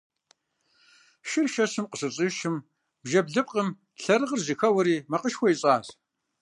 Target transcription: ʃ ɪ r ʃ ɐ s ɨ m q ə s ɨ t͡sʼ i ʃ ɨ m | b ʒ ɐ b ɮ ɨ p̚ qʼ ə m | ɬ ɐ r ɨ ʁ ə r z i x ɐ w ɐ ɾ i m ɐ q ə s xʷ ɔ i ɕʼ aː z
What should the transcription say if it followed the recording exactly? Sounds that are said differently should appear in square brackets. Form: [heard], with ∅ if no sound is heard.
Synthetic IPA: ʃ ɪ r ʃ ɐ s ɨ m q ə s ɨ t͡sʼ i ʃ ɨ m | b ʒ ɐ b ɮ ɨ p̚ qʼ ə m | ɬ ɐ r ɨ ʁ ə r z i x ɐ w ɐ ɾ [iː] m ɐ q ə [ʃ] xʷ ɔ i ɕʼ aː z